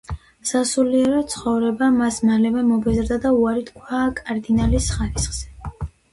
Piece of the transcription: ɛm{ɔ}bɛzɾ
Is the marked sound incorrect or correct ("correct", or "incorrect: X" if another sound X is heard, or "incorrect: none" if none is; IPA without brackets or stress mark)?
correct